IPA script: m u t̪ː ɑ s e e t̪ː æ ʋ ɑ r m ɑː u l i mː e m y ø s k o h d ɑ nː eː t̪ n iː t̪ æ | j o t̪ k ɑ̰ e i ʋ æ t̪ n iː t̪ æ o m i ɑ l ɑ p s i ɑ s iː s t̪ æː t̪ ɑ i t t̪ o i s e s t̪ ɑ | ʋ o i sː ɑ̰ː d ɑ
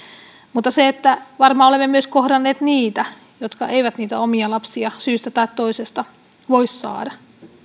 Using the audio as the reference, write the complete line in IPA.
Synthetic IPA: m u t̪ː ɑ s e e t̪ː æ ʋ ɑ r m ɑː o l e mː e m y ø s k o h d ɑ nː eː t̪ n iː t̪ æ | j o t̪ k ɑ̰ e i ʋ æ t̪ n iː t̪ æ o m i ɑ l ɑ p s i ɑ s yː s t̪ æ t̪ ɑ i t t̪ o i s e s t̪ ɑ | ʋ o i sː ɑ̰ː d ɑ

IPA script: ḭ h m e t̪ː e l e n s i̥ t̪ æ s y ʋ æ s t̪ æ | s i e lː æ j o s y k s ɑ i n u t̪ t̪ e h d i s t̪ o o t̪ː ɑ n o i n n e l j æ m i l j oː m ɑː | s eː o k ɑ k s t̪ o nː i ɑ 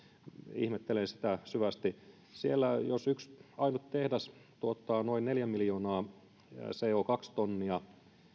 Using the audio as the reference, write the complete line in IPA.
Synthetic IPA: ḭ h m e t̪ː e l e n s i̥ t̪ æ s y ʋ æ s t̪ i | s i e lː æ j o s y k s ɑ i n u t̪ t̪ e h d æ s t̪ u o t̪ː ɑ n o i n n e l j æ m i l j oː n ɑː | s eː o k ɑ k s t̪ o nː i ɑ

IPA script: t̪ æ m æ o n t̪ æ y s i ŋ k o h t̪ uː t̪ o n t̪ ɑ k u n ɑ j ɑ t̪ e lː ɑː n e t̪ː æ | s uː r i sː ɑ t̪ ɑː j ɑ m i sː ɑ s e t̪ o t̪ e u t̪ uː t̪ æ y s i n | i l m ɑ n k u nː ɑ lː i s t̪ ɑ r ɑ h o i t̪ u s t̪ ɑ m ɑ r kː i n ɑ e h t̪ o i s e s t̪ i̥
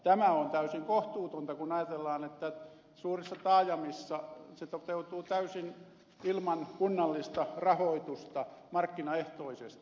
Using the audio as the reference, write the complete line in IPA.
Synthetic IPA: t̪ æ m æ o n t̪ æ y s i ŋ k o h t̪ uː t̪ o n t̪ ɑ k u n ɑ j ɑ t̪ e lː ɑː n e t̪ː æ | s uː r i sː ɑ t̪ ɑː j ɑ m i sː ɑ s e t̪ o t̪ e u t̪ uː t̪ æ y s i n | i l m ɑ n k u nː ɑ lː i s t̪ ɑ r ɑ h o i t̪ u s t̪ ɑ m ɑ r kː i n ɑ e h t̪ o i s e s t̪ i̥

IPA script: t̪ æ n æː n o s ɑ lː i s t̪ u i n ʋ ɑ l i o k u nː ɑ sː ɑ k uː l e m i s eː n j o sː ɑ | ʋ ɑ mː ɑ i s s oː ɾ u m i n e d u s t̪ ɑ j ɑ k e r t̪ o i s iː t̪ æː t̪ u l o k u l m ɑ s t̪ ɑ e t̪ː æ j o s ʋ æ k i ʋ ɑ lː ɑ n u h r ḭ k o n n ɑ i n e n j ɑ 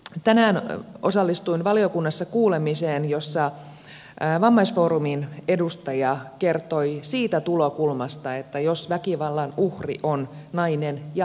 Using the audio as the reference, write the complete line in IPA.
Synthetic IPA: t̪ æ n æː n o s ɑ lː i s t̪ u i n ʋ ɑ l i o k u nː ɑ sː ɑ k uː l e m i s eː n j o sː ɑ | ʋ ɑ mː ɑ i s f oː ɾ u m i n e d u s t̪ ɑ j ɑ k e r t̪ o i s iː t̪ æ t̪ u l o k u l m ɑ s t̪ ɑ e t̪ː æ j o s ʋ æ k i ʋ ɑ lː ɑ n u h r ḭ ʔ o n n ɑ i n e n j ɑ

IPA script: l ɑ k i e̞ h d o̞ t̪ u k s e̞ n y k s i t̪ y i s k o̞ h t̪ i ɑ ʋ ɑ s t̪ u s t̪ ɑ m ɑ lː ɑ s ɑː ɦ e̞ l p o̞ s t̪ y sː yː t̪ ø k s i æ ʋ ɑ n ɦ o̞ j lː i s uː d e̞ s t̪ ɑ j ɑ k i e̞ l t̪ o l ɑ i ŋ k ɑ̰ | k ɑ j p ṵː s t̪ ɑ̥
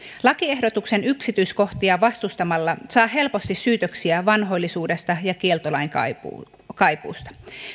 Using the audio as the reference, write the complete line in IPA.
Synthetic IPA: l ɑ k i e̞ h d o̞ t̪ u k s e̞ n y k s i t̪ y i s k o̞ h t̪ i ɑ ʋ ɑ s t̪ u s t̪ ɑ m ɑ lː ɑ s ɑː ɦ e̞ l p o̞ s t̪ i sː yː t̪ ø k s i æ ʋ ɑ n ɦ o̞ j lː i s uː d e̞ s t̪ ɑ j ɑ k i e̞ l t̪ o l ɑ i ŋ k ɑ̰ | k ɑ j p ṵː s t̪ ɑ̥

